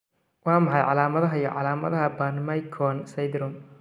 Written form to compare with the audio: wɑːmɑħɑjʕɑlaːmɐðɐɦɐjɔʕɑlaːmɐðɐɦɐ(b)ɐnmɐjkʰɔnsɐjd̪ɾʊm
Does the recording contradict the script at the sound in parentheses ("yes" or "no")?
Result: no